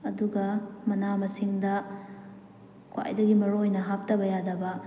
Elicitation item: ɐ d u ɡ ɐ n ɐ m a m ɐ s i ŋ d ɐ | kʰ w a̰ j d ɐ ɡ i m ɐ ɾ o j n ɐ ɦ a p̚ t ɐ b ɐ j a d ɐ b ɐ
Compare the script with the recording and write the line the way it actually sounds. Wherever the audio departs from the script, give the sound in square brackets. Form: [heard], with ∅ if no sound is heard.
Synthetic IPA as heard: ɐ d u ɡ ɐ [m] ɐ [n] a m ɐ s i ŋ d ɐ | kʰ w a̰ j d ɐ ɡ i m ɐ ɾ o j n ɐ ɦ a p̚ t ɐ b ɐ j a d ɐ b ɐ

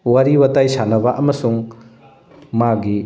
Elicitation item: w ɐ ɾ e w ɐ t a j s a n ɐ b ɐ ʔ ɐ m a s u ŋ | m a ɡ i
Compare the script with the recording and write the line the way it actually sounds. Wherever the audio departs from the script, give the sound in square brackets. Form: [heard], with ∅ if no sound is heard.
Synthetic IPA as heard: w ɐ ɾ [i] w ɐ t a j s a n ɐ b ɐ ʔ ɐ m [ɐ] s u ŋ | m a ɡ i

